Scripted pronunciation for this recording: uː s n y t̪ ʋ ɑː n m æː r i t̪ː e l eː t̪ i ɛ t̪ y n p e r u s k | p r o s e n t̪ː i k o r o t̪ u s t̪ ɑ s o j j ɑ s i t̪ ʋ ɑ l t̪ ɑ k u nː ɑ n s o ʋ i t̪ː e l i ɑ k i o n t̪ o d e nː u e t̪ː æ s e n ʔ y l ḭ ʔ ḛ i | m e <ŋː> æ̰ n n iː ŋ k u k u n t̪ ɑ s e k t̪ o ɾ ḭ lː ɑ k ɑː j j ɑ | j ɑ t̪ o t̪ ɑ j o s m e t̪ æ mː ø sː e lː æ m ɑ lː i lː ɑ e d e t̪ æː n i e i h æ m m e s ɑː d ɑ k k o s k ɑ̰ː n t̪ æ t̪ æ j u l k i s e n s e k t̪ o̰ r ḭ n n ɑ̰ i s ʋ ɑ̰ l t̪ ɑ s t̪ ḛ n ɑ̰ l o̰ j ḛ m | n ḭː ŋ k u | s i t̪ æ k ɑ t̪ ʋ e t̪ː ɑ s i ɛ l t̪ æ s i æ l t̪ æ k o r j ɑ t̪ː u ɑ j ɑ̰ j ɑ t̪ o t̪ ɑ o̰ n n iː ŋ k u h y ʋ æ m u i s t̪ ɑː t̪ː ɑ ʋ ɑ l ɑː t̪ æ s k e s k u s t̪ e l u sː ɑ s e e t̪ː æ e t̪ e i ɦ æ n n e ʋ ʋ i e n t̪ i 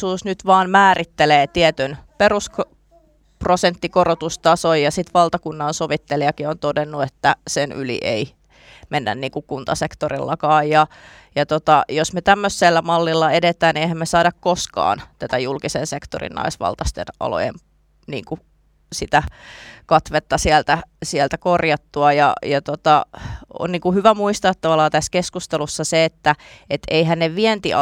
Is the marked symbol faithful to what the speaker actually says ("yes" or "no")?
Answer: no